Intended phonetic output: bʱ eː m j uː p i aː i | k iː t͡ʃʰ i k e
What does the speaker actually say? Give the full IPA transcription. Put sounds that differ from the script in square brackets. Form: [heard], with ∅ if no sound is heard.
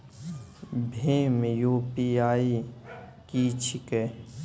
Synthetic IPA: bʱ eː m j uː p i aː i | k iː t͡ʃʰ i k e